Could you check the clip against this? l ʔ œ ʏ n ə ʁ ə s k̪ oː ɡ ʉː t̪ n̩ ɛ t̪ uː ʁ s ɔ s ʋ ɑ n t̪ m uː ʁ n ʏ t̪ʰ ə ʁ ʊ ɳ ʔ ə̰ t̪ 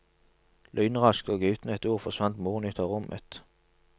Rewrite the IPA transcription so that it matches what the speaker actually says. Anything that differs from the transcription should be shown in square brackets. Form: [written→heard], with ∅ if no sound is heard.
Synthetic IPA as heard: l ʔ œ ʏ n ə ʁ [ə→ɑ] s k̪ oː ɡ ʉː t̪ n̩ ɛ t̪ uː ʁ [s→f] ɔ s ʋ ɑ n t̪ m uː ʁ n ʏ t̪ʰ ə ʁ ʊ [ɳ→m] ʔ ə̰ t̪